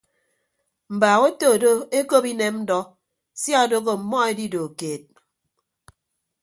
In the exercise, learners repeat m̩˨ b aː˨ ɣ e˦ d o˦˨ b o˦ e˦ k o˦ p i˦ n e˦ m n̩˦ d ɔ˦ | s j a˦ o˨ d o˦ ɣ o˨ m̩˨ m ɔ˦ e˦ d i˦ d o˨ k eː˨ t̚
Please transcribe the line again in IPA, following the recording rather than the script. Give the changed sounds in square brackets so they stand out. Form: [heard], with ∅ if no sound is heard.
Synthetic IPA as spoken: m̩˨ b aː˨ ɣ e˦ [t] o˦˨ [d] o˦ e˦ k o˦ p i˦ n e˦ m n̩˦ d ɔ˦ | s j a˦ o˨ d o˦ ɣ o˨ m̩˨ m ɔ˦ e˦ d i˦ d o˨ k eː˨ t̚